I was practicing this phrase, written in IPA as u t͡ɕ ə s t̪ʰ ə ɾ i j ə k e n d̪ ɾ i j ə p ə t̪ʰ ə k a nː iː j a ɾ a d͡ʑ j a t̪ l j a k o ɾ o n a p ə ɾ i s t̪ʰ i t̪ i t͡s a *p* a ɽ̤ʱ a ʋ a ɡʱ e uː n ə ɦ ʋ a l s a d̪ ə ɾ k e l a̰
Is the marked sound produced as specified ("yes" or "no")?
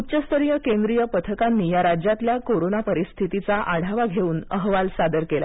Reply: no